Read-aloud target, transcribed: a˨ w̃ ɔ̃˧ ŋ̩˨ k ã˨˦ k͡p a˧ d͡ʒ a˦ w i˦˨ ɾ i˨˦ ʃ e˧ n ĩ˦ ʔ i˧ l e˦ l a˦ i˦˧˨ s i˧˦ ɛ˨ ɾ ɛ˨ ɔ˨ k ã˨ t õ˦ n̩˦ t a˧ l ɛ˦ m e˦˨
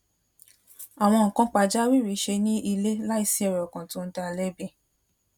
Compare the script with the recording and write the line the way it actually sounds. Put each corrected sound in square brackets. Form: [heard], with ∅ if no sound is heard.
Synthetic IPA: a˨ w̃ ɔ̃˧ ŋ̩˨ k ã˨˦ k͡p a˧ d͡ʒ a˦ w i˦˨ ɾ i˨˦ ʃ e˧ n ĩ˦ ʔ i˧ l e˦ l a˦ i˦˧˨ s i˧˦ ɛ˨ ɾ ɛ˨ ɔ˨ k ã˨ t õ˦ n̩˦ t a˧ l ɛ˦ [b] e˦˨